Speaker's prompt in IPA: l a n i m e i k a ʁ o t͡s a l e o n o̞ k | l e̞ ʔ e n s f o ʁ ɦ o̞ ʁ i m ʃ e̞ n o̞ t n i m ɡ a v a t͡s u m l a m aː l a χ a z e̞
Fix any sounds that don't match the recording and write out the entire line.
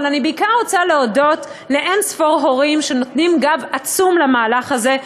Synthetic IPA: l a n i b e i k a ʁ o t͡s a l e o d o̞ t | l e̞ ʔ e n s f o ʁ ɦ o̞ ʁ i m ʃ e̞ n o̞ t n i m ɡ a v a t͡s u m l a m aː l a χ a z e̞